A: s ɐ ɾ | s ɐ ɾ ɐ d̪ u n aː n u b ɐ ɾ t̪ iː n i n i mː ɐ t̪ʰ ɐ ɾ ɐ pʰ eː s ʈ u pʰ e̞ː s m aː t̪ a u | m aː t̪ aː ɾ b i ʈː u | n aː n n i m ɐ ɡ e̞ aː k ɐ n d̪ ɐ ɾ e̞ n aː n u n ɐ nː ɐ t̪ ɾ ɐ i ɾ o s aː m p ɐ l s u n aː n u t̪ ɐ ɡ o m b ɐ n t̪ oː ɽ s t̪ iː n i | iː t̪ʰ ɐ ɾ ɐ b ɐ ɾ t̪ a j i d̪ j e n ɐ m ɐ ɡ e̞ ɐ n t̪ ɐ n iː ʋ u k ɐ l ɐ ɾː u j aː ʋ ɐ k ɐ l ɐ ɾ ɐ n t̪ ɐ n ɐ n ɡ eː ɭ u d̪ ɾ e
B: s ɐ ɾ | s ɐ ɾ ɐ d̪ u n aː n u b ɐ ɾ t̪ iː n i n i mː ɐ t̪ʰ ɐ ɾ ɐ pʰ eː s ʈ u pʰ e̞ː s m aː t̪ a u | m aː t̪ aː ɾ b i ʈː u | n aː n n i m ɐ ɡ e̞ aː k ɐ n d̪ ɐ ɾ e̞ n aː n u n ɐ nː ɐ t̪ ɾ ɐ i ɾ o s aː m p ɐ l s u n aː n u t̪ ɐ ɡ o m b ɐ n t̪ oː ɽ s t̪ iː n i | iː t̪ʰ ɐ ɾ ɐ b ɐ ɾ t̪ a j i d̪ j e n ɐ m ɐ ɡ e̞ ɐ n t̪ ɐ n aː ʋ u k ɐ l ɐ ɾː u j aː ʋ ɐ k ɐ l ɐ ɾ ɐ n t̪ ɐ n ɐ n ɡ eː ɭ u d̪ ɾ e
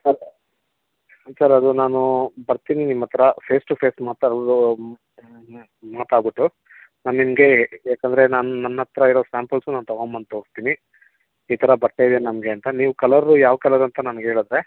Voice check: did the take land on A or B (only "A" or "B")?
A